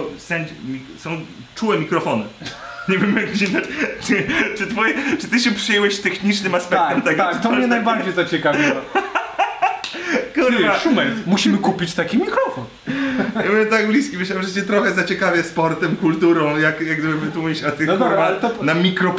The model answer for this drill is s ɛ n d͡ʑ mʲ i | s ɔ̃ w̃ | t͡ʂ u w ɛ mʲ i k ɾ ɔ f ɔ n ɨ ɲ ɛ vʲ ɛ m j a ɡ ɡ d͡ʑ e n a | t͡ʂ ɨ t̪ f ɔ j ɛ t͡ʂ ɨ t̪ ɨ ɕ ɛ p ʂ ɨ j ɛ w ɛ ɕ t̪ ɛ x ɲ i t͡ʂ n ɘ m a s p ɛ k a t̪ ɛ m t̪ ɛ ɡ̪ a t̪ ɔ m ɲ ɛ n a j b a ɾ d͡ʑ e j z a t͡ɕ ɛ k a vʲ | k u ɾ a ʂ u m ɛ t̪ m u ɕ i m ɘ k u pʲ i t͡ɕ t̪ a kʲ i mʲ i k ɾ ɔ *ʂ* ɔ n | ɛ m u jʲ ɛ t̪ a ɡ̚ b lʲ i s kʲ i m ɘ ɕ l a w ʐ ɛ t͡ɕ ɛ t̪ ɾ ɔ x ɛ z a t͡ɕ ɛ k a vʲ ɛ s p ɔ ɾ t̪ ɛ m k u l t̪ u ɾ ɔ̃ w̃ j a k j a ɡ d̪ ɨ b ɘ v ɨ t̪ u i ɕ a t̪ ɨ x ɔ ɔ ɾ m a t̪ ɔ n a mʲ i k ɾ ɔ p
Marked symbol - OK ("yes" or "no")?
no